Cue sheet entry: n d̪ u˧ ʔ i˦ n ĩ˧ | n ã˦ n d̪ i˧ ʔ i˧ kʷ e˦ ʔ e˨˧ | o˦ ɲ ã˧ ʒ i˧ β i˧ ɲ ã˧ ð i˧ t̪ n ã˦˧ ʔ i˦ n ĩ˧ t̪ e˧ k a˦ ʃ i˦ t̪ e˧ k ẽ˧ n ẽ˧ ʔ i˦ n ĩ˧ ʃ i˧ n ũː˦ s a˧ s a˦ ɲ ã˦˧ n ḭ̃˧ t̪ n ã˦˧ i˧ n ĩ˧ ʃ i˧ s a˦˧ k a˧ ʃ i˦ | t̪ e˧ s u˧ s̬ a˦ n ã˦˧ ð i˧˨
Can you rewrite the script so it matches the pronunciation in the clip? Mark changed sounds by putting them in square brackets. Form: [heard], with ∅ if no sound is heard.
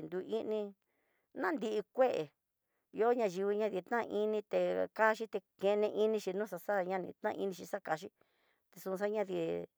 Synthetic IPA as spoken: n d̪ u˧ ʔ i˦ n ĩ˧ | n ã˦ n d̪ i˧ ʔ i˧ kʷ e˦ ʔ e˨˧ | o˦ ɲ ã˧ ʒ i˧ β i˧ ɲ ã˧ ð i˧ t̪ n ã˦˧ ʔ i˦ n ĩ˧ t̪ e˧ k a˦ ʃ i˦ t̪ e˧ k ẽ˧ n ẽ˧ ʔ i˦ n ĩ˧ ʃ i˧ n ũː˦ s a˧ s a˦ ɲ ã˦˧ n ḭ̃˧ t̪ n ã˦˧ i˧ n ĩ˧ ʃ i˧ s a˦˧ k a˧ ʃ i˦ | t̪ e˧ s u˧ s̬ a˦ [ɲ] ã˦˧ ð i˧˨